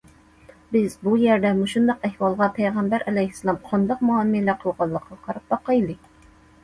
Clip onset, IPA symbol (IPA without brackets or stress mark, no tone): b